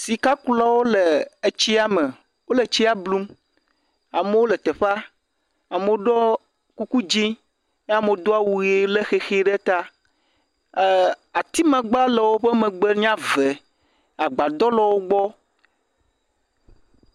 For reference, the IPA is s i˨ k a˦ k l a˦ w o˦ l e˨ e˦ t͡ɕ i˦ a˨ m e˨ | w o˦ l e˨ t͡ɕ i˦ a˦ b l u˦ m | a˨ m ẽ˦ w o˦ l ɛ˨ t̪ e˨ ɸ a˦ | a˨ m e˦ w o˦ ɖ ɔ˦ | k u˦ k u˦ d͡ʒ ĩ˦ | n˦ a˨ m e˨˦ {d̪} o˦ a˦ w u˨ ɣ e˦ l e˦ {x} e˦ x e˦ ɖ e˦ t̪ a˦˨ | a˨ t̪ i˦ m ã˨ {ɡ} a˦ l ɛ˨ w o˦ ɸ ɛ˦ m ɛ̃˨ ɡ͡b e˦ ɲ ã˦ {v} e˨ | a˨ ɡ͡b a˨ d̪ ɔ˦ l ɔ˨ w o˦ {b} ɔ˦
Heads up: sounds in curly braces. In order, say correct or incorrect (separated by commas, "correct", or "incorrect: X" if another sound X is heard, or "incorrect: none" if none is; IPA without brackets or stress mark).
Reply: correct, correct, incorrect: ɡ͡b, correct, incorrect: ɡ͡b